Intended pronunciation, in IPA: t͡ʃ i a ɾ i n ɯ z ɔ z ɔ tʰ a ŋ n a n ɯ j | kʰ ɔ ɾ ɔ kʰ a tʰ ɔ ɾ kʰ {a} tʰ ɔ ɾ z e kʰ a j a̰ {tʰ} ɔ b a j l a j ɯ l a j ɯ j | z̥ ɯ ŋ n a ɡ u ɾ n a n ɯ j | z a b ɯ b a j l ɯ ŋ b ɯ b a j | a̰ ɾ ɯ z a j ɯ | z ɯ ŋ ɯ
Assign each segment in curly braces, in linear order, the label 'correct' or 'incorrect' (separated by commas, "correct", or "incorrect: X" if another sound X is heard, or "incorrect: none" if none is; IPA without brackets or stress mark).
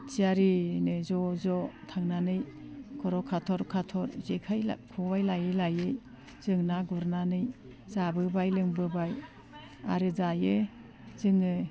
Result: correct, incorrect: kʰ